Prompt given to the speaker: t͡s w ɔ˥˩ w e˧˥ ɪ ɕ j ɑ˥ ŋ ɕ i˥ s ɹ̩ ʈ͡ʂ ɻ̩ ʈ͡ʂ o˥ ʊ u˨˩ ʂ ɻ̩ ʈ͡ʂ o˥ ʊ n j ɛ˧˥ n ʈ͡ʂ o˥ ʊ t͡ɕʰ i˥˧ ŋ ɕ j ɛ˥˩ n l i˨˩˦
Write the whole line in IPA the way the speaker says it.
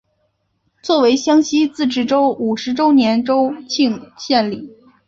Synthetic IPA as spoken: t͡s w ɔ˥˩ w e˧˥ ɪ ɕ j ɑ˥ ŋ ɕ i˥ t͡s ɹ̩ ʈ͡ʂ ɻ̩ ʈ͡ʂ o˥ ʊ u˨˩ ʂ ɻ̩ ʈ͡ʂ o˥ ʊ n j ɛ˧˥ n ʈ͡ʂ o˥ ʊ t͡ɕʰ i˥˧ ŋ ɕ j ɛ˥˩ n l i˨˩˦